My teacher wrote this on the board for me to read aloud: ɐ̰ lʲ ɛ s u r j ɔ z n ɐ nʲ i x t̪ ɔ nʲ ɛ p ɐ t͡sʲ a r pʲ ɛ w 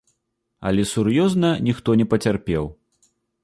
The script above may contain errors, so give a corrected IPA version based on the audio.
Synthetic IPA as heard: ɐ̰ lʲ ɛ s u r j ɔ z n ɐ nʲ i x t̪ ɔ nʲ ɛ p ɐ t͡sʲ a r pʲ ɛ w